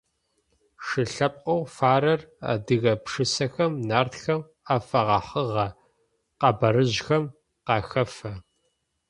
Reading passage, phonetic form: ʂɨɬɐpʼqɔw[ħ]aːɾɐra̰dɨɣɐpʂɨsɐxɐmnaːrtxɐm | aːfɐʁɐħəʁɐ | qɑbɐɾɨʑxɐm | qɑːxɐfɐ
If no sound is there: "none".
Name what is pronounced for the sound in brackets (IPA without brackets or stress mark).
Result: f